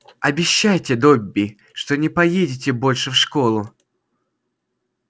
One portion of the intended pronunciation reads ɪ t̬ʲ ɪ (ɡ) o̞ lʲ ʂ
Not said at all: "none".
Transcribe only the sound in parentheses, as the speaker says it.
b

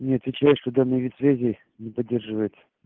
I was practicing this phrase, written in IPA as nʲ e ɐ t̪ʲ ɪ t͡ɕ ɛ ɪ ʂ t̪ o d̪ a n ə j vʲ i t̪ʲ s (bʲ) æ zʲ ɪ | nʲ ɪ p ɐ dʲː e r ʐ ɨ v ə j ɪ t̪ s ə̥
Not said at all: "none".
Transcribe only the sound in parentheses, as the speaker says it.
vʲ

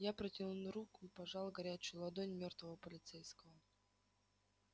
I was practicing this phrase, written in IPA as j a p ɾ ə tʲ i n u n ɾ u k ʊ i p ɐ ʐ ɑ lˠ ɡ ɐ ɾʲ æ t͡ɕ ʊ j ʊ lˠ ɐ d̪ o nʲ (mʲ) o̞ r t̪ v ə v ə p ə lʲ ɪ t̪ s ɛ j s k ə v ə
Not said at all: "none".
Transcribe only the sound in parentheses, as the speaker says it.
mʲ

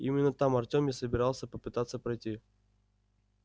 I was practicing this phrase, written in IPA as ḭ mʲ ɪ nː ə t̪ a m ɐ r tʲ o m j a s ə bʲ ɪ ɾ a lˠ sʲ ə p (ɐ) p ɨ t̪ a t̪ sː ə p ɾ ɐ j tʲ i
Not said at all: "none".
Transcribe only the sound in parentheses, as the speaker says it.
ə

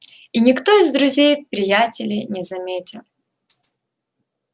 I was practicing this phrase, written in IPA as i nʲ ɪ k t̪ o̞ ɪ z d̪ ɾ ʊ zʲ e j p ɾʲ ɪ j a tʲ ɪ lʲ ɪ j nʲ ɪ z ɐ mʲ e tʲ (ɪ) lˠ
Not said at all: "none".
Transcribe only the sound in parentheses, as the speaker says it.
ɪ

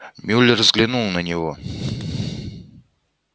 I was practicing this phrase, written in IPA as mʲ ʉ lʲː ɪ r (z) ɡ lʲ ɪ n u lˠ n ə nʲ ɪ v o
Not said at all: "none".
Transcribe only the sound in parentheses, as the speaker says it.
z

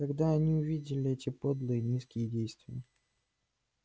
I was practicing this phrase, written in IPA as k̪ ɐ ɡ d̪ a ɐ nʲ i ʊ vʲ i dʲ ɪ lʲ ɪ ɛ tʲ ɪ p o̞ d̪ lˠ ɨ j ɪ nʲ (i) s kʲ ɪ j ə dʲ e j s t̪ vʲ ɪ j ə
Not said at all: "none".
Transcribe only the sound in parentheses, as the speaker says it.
i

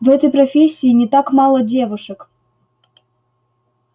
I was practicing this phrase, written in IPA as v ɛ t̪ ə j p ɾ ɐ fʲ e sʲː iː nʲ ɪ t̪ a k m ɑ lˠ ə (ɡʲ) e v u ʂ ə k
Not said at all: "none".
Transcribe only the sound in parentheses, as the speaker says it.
dʲ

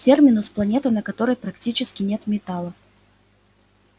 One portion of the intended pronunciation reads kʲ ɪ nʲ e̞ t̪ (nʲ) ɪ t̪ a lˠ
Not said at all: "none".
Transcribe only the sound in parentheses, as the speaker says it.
mʲ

